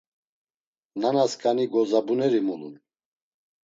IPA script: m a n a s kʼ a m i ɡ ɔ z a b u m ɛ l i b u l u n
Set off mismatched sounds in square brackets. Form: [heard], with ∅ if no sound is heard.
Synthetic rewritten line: [n] a n a s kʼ a [n] i ɡ ɔ z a b u [n] ɛ [ɾ] i [m] u l u n